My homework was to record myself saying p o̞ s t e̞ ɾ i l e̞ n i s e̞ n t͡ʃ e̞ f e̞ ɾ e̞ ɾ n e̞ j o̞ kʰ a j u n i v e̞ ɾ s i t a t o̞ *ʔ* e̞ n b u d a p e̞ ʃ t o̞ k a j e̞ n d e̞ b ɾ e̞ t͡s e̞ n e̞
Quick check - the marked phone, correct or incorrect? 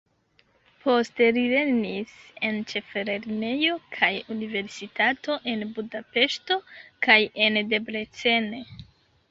correct